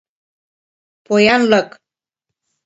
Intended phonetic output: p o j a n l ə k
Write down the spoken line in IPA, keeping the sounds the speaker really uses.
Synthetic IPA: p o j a n l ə k